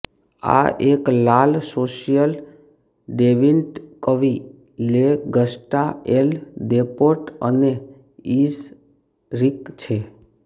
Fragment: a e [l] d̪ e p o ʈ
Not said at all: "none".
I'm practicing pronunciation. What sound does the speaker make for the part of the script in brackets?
l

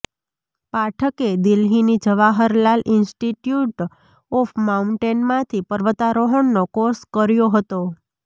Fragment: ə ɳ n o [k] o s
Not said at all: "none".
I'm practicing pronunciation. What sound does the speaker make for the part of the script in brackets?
k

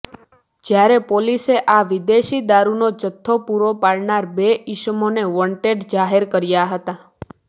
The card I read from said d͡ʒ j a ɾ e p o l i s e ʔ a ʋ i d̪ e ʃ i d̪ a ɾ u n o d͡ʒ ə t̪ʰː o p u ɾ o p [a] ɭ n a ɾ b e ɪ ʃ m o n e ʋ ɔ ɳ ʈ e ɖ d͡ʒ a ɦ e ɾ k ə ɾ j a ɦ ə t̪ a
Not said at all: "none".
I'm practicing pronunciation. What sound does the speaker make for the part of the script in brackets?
a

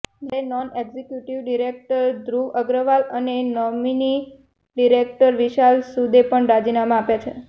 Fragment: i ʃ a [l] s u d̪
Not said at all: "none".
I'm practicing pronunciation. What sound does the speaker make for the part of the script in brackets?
l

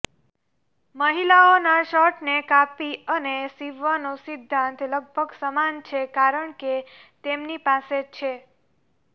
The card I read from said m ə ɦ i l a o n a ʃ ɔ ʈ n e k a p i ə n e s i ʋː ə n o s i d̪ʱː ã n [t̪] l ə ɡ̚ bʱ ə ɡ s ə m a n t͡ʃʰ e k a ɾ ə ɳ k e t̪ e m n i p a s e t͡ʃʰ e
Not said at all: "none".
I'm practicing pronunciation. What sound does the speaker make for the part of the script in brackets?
t̪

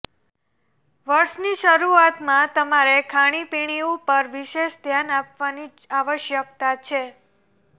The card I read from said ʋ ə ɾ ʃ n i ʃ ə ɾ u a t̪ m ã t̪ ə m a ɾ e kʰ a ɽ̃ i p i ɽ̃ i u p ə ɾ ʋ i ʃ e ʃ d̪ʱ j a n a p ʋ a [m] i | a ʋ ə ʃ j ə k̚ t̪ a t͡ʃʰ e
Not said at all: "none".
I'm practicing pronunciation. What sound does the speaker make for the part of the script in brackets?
n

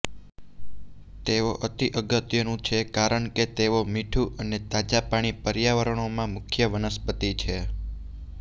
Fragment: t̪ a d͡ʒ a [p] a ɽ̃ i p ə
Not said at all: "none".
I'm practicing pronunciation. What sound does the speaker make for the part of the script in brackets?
p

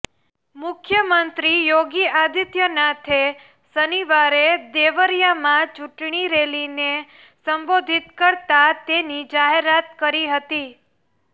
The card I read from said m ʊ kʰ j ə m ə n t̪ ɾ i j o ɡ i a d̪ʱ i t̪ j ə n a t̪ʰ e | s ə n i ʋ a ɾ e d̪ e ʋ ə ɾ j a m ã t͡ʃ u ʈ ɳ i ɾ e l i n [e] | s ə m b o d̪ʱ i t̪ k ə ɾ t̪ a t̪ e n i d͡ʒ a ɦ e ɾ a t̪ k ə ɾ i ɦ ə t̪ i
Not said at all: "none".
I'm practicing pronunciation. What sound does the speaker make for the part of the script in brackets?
e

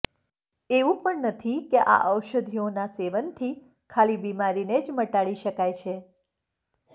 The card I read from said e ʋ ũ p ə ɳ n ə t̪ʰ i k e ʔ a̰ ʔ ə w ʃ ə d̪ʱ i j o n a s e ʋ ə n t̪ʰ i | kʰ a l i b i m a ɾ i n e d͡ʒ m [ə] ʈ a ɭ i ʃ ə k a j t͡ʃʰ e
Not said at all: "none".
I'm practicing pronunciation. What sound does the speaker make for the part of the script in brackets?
ə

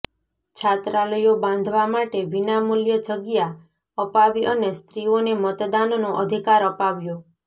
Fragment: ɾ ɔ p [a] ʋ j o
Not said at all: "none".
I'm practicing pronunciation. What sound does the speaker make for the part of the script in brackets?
a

